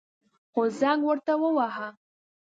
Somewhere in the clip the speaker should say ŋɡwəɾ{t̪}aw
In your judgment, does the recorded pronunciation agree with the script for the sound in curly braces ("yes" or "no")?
yes